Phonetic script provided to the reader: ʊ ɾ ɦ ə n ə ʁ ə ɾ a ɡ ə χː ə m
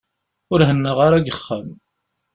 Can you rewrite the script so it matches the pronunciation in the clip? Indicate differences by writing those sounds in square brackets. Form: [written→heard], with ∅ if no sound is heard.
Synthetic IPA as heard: ʊ ɾ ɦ ə [n→nː] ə ʁ [ə→a] ɾ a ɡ ə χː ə m